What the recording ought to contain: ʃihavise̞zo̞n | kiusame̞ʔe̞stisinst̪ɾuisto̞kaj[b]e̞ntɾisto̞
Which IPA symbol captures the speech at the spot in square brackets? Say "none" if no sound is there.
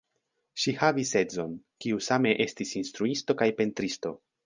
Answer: p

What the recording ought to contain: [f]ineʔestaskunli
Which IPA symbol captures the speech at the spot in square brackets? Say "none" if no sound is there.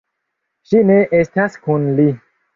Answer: ʃ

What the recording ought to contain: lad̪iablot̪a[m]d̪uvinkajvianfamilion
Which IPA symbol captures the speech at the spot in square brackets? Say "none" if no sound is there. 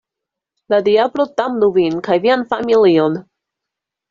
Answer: m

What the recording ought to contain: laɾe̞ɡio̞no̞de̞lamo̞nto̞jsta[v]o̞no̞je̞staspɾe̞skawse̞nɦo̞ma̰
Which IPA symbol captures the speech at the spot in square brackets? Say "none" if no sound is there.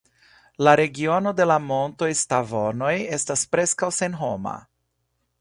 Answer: v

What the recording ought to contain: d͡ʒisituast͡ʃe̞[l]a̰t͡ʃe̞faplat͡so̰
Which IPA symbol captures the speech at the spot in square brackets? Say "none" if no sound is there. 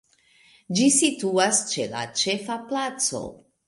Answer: l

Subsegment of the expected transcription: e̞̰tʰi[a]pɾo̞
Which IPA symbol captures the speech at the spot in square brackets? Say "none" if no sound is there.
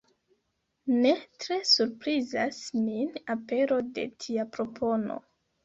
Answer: a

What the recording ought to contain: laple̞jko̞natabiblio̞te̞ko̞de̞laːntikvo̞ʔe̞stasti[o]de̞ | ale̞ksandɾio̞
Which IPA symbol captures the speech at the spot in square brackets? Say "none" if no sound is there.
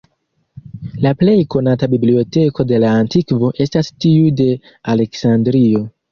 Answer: u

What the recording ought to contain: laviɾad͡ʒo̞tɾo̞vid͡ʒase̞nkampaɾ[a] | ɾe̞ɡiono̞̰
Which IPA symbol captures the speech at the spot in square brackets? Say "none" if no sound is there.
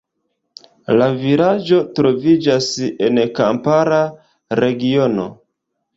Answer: a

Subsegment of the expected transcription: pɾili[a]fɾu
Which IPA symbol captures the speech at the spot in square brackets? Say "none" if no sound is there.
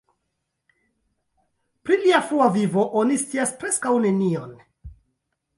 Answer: a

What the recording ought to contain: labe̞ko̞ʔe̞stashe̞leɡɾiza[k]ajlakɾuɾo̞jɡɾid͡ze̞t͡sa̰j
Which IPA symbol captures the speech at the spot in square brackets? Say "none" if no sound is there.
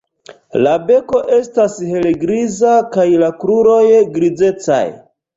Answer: k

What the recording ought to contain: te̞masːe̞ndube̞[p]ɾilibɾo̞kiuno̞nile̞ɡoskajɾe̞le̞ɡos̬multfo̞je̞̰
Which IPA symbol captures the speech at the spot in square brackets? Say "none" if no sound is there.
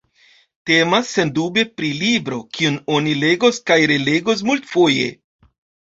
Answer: p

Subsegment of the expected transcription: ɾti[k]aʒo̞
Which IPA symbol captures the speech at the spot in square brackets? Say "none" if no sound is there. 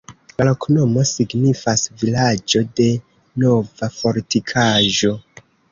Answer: kʰ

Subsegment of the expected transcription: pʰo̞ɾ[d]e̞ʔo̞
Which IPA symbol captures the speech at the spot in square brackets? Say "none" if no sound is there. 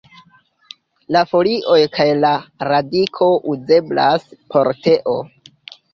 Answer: t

